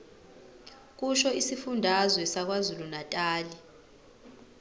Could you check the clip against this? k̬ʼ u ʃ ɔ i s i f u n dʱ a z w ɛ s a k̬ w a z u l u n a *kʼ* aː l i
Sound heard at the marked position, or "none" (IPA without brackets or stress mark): tʼ